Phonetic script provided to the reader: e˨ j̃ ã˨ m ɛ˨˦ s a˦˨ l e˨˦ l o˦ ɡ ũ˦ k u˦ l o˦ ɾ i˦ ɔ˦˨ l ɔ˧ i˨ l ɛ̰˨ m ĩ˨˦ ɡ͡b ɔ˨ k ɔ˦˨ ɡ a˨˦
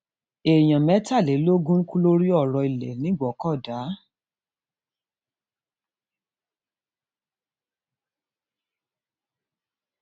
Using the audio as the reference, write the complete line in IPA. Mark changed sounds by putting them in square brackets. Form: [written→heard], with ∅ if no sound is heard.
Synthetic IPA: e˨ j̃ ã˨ m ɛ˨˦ [s→t] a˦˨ l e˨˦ l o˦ ɡ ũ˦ k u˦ l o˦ ɾ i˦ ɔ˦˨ [l→ɾ] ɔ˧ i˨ l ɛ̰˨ [m→n] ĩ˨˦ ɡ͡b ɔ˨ k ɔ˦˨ [ɡ→d] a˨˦